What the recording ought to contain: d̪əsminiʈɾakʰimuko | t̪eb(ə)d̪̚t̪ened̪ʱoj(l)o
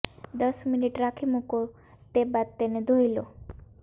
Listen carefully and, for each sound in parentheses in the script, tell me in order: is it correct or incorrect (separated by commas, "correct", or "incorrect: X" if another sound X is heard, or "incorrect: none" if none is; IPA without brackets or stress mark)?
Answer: incorrect: a, correct